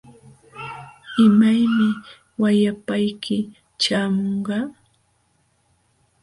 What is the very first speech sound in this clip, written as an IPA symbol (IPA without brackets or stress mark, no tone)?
ɪ